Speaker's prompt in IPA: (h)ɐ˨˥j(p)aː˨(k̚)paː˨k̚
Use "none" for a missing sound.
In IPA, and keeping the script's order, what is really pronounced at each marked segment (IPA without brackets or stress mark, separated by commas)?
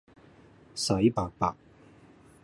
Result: s, p, k̚